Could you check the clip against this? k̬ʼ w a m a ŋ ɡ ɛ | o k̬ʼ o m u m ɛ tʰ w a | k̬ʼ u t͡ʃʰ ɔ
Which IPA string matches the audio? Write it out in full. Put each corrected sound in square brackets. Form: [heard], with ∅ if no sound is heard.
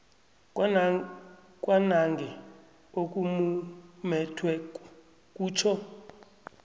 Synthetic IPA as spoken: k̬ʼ w a [n] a ŋ ɡ ɛ | o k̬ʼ [u] m u m ɛ tʰ w [ɛ] | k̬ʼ [uː] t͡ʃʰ ɔ